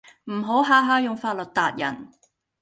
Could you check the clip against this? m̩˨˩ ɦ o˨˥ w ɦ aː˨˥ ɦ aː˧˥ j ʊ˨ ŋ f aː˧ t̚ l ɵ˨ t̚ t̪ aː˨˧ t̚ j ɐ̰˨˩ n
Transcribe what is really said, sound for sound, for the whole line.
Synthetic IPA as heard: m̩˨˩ ɦ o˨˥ w ɦ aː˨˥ ɦ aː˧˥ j ʊ˨ ŋ f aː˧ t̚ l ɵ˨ t̚ t̪ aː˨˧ t̚ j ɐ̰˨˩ n